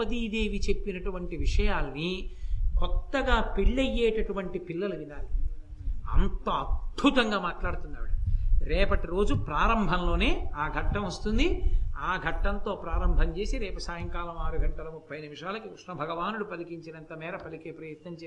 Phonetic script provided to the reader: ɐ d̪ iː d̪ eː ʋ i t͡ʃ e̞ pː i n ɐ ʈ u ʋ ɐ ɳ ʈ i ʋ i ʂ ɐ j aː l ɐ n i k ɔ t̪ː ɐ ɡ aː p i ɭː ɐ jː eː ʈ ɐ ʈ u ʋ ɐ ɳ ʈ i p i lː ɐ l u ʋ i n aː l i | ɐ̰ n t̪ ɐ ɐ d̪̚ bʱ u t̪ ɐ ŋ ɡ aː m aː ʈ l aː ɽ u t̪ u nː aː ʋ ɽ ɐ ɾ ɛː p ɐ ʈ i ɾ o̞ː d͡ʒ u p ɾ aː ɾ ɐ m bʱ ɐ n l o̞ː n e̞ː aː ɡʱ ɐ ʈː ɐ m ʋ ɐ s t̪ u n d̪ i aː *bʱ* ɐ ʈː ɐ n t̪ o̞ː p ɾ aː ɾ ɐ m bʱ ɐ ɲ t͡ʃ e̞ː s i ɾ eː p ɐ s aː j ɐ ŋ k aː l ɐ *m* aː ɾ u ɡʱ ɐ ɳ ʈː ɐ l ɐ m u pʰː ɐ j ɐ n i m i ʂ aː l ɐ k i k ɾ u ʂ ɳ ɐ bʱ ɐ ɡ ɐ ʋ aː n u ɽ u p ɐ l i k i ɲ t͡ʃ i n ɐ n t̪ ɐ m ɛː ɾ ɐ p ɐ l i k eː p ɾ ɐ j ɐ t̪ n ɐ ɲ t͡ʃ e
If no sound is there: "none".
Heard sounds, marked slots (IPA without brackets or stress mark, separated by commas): ɡʱ, m